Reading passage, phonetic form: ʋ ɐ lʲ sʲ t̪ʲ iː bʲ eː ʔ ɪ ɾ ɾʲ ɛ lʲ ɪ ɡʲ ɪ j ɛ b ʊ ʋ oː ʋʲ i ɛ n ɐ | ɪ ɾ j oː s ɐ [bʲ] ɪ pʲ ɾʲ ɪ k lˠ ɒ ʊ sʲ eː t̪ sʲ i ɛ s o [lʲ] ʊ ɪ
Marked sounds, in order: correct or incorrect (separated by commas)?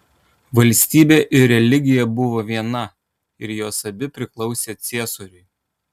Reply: correct, incorrect